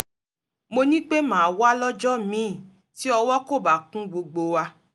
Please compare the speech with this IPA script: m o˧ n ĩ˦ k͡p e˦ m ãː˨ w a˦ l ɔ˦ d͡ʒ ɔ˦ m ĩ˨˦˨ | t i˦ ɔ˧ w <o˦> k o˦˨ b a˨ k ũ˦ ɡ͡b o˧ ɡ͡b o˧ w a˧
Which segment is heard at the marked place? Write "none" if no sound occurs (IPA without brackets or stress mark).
ɔ˦